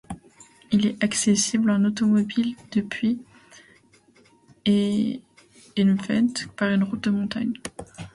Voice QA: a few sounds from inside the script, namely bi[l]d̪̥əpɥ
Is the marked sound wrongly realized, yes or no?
no